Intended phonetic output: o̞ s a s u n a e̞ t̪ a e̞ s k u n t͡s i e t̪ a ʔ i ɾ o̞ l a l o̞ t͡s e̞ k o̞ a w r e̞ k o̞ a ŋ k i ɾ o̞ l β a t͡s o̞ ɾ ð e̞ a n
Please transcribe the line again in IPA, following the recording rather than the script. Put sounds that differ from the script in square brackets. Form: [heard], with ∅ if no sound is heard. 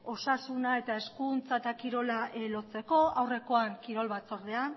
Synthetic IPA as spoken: o̞ s a s u n a e̞ t̪ a e̞ s k u n t͡s [a] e t̪ a [k] i ɾ o̞ l a l o̞ t͡s e̞ k o̞ a w r e̞ k o̞ a ŋ k i ɾ o̞ l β a t͡s o̞ ɾ ð e̞ a n